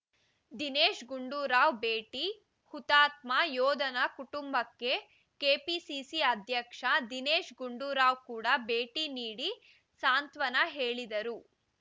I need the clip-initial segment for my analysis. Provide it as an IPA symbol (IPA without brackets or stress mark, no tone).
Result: d̪